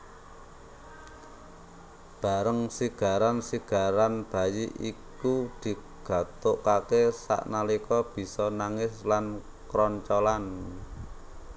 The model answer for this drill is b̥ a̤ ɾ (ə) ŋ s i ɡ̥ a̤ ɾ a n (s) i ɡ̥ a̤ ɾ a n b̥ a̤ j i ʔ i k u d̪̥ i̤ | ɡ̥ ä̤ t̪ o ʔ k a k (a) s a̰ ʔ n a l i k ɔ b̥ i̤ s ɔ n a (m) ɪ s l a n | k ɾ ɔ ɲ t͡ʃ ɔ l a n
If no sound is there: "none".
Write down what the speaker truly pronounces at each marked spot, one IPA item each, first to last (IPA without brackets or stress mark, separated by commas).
ə, s, e, ŋ